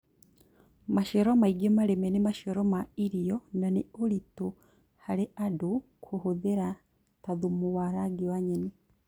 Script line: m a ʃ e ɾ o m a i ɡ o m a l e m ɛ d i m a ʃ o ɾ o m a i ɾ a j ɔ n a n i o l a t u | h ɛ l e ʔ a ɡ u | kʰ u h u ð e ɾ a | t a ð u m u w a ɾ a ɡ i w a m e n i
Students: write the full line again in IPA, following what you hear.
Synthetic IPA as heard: m a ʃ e ɾ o m a i ɡ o m a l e m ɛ n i m a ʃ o ɾ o m a i ɾ i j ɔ n a n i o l i t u | h a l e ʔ a d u | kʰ u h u ð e ɾ a | t a ð u m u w a ɾ a ɡ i w a ɲ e n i